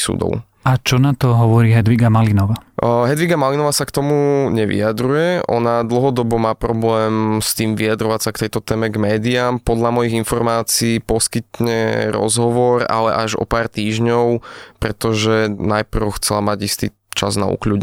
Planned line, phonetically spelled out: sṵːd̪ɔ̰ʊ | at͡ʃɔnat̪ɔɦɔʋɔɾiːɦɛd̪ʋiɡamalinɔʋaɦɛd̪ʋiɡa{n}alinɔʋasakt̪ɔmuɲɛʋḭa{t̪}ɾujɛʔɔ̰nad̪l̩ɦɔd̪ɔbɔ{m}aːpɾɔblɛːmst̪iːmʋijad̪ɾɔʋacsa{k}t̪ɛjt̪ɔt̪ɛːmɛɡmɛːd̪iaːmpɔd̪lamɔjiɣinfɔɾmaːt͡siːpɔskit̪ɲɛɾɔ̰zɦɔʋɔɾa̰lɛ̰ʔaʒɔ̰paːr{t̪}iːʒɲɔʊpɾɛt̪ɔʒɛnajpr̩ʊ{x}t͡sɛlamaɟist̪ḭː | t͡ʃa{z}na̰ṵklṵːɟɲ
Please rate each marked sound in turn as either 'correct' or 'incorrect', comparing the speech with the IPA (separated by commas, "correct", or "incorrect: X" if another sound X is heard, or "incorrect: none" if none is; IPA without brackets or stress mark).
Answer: incorrect: m, incorrect: d̪, correct, correct, correct, correct, correct